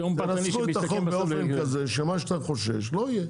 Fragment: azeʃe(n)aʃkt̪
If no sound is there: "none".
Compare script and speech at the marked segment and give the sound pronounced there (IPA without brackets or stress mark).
m